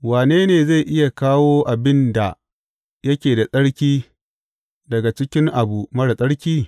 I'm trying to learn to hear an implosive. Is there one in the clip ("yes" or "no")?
no